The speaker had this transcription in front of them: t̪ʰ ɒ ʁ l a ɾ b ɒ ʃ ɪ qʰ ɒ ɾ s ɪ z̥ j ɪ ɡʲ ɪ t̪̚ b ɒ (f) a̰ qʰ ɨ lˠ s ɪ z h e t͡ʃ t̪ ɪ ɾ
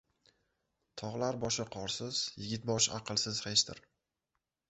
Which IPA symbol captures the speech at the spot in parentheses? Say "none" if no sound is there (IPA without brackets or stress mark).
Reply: ʃ